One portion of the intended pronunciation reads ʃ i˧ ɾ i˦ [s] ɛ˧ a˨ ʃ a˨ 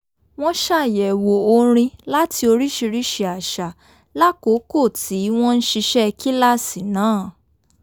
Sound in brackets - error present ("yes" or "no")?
yes